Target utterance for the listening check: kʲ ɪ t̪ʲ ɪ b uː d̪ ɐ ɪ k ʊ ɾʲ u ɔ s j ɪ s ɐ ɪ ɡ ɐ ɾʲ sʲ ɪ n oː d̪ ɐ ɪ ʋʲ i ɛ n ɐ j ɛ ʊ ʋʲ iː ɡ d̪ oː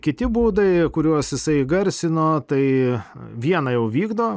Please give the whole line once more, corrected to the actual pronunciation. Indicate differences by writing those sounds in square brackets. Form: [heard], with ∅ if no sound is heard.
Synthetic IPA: kʲ ɪ t̪ʲ ɪ b uː d̪ ɐ ɪ k ʊ ɾʲ u ɔ s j ɪ s ɐ ɪ ɡ ɐ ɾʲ sʲ ɪ n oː [t̪] ɐ ɪ ʋʲ i ɛ n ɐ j ɛ ʊ ʋʲ iː ɡ d̪ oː